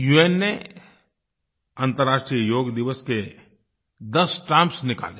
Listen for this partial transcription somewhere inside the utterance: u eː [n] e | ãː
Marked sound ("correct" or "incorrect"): incorrect